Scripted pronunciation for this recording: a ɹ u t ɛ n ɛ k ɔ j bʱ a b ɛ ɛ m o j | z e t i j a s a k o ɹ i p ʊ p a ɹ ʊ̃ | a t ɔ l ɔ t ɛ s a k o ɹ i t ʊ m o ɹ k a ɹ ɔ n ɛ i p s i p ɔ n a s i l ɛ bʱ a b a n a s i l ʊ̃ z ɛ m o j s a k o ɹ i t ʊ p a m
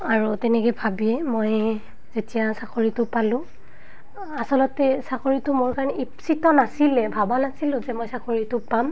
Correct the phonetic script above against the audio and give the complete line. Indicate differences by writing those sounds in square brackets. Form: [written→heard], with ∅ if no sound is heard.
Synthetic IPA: a ɹ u t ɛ n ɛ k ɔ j bʱ a b [ɛ→i] ɛ m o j | z e t i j a s a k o ɹ i [p→t] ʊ p a [ɹ→l] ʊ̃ | a [t→s] ɔ l ɔ t ɛ s a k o ɹ i t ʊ m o ɹ k a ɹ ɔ n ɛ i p s i [p→t] ɔ n a s i l ɛ bʱ a b a n a s i l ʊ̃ z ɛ m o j s a k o ɹ i t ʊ p a m